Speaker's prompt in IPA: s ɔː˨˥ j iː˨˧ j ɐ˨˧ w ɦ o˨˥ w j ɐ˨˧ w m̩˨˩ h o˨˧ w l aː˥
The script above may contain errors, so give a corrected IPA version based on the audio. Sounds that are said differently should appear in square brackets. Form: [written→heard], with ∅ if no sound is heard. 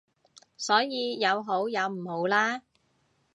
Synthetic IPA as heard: s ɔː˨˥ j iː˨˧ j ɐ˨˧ w ɦ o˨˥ w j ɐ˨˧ w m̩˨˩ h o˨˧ w l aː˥